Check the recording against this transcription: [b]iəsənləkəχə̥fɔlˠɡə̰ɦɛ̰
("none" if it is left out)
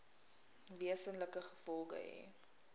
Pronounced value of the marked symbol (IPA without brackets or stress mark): v